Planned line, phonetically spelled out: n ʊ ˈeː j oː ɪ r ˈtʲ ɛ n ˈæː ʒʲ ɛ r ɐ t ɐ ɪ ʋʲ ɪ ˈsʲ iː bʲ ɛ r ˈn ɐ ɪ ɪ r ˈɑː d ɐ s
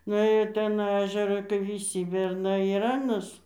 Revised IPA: n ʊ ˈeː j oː ɪ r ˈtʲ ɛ n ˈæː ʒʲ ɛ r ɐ k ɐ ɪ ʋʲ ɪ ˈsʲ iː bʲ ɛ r ˈn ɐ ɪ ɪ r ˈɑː n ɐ s